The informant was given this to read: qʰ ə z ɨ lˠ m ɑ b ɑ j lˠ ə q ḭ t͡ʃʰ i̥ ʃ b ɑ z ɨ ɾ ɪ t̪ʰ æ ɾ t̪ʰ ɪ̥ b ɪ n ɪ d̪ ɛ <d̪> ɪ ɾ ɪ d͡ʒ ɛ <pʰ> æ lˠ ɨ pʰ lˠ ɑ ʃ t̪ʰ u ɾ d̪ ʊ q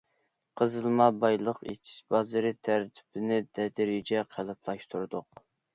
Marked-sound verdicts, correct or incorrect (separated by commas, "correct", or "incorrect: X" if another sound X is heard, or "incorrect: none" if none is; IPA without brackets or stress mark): correct, incorrect: qʰ